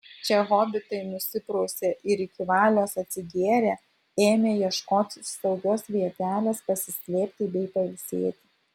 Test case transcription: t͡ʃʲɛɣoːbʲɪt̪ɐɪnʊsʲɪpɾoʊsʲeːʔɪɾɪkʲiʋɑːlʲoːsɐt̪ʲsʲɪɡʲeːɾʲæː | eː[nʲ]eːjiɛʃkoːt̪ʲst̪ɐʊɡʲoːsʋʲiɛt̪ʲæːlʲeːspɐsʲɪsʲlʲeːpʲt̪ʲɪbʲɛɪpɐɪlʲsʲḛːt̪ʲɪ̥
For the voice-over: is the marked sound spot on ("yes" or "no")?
no